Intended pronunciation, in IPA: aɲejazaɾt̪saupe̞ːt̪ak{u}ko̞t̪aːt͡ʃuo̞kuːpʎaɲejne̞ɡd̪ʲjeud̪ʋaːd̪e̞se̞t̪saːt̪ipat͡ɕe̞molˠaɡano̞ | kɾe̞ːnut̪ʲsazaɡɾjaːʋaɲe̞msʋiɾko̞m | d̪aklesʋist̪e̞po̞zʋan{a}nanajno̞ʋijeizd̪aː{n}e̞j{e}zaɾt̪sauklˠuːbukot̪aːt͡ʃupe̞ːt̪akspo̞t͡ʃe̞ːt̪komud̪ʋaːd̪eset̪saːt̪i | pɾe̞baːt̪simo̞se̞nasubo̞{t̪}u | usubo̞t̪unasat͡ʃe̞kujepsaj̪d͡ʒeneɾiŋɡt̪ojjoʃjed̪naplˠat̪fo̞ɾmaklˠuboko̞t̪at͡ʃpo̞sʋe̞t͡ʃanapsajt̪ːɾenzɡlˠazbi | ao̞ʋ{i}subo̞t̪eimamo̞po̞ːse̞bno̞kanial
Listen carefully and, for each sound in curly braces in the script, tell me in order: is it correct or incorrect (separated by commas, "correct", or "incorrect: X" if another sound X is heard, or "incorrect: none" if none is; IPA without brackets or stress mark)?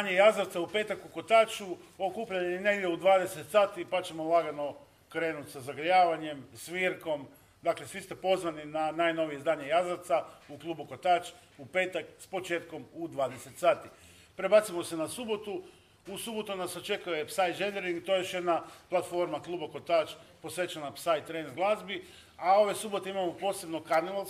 correct, incorrect: i, incorrect: ɲ, incorrect: a, correct, incorrect: e